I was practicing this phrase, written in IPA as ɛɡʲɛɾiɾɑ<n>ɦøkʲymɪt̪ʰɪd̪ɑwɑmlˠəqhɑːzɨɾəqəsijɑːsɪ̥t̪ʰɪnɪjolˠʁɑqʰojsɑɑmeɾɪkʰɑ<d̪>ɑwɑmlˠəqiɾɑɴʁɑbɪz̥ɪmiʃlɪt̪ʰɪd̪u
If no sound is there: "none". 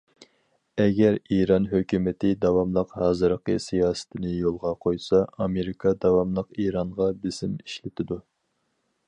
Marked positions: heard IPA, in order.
n, d̪

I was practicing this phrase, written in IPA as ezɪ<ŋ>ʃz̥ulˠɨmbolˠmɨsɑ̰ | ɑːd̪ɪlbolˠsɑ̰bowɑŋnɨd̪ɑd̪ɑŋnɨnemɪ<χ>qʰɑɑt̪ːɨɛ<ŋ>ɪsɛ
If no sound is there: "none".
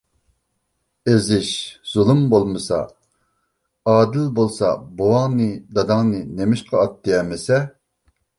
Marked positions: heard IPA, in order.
none, ʃ, m

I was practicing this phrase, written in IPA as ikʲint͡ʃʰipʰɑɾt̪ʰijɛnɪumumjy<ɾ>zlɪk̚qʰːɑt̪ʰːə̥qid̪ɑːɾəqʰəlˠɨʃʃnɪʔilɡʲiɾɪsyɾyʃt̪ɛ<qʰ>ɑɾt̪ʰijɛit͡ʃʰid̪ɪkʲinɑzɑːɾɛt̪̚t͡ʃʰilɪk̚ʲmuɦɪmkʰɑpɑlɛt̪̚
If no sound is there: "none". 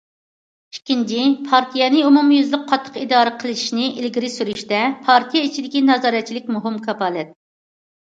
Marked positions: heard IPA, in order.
none, pʰ

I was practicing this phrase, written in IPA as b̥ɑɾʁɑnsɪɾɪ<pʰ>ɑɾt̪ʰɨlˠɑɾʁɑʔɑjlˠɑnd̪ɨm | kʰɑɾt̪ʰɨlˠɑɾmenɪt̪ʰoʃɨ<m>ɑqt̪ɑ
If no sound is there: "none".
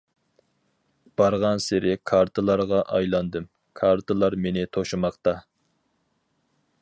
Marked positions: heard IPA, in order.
kʰ, m

